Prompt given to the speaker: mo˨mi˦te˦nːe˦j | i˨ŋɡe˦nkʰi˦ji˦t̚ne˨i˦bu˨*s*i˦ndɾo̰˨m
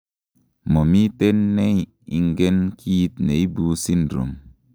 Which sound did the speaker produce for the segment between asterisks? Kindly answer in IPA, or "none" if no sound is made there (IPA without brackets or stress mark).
s